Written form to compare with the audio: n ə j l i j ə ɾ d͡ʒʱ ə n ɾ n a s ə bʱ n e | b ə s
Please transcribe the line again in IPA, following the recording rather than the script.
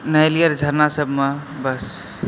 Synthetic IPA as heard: n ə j l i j ə ɾ d͡ʒʱ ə ɾ n a s ə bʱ m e | b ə s